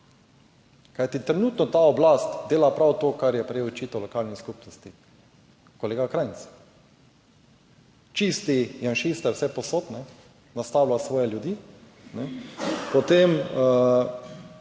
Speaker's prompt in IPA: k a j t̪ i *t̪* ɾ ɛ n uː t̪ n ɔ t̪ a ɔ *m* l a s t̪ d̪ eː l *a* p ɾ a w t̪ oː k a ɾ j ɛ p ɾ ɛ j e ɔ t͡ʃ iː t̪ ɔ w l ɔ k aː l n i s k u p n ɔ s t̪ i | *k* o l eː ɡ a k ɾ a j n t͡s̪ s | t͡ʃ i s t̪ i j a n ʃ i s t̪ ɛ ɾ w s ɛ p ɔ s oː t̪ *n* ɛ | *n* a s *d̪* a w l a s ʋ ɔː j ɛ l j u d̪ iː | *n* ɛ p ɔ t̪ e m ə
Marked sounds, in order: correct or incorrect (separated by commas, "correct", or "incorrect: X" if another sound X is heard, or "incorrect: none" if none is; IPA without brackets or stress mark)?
correct, incorrect: b, correct, correct, correct, correct, incorrect: t̪, correct